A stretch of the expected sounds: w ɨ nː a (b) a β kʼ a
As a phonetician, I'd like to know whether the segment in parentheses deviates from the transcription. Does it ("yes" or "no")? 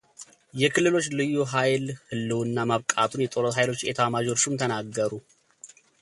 yes